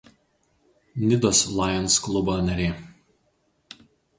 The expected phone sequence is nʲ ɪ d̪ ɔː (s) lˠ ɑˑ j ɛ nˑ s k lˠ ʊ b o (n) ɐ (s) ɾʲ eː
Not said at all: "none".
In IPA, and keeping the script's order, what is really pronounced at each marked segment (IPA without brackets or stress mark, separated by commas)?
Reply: s, n, none